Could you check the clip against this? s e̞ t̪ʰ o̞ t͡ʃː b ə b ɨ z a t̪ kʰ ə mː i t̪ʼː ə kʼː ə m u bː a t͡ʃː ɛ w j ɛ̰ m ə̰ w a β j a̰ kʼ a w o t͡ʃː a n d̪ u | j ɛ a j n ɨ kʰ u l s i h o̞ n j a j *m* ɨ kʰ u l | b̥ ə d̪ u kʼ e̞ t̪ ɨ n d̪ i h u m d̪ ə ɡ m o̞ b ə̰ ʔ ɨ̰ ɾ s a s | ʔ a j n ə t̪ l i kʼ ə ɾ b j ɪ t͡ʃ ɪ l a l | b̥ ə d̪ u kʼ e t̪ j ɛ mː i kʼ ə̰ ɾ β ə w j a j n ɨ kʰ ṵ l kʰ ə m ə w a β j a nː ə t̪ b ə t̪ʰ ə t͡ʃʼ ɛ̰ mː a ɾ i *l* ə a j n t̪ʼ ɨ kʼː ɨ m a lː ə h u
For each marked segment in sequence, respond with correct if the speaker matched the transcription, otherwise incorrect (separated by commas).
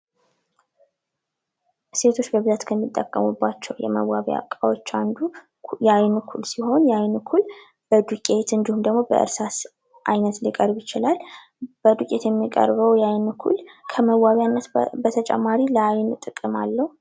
incorrect, correct